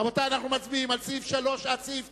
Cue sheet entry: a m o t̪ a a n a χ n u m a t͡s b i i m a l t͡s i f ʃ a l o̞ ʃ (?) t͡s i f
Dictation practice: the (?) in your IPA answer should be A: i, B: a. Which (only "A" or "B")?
B